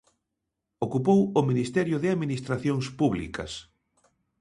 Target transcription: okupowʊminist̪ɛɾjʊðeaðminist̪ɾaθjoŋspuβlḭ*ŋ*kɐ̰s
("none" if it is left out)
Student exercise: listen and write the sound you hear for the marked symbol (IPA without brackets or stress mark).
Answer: none